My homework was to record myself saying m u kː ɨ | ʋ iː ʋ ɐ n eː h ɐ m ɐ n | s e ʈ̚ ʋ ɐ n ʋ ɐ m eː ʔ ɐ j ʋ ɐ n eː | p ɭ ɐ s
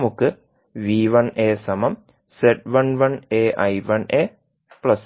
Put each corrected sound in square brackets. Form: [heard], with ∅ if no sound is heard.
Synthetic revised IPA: m u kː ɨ | ʋ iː ʋ ɐ n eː [s] ɐ m ɐ [m] | s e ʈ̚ ʋ ɐ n ʋ ɐ [n] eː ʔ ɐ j ʋ ɐ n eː | p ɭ ɐ s